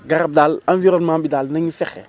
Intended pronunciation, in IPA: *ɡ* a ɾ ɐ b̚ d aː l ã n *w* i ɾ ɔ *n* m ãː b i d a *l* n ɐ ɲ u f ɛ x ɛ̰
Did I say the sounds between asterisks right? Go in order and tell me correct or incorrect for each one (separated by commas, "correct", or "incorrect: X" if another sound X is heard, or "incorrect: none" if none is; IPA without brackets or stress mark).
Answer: correct, incorrect: v, correct, correct